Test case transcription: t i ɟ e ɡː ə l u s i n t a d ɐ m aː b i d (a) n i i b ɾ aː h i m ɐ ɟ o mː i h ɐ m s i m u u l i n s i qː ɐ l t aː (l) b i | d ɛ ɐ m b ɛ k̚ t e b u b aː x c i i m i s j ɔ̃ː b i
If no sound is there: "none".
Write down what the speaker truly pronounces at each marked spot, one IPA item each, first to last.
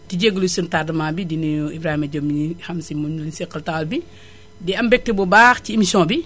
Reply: i, l

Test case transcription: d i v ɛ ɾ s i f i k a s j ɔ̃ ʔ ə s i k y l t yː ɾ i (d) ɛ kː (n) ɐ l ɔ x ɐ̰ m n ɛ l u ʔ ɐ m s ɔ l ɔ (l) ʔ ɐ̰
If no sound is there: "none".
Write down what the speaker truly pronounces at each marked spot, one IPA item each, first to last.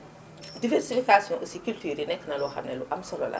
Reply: n, n, l

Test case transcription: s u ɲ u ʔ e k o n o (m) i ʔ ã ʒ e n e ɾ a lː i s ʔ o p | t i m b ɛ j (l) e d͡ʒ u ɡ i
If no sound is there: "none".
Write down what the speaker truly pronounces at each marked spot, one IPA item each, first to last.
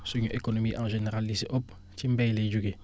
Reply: m, l

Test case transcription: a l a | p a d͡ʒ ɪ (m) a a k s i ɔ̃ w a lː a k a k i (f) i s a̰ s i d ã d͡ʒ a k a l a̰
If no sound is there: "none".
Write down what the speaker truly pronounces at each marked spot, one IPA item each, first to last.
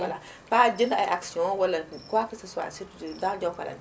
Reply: n, s

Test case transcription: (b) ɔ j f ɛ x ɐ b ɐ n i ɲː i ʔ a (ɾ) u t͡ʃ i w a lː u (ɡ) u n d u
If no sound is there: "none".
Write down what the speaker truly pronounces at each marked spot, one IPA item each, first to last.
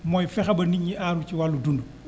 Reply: m, ɾ, d

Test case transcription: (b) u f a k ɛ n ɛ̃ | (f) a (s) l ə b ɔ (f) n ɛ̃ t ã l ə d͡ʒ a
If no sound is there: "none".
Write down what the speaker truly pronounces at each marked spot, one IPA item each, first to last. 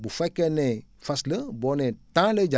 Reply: b, f, s, none

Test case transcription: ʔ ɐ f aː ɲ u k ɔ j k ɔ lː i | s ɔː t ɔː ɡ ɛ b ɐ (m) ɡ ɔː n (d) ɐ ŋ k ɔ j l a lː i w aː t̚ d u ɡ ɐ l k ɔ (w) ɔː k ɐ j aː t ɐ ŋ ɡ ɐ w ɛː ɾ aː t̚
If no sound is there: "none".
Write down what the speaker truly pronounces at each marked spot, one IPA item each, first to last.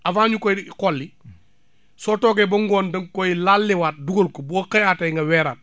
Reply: ŋ, d, b

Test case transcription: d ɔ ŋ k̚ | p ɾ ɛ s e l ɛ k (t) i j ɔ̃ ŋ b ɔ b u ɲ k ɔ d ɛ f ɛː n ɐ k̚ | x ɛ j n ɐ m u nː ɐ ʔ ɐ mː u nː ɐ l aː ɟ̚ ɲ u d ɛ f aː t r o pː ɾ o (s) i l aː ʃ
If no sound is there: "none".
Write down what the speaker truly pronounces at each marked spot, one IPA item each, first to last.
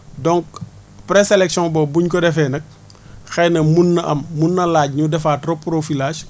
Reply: s, f

